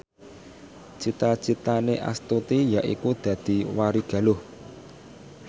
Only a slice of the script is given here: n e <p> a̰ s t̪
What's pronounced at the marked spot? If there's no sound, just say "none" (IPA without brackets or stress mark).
ʔ